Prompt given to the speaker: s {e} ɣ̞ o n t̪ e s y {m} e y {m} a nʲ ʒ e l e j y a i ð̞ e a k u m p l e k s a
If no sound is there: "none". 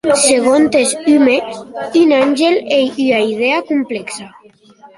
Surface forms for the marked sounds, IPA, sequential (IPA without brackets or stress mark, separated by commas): e, m, n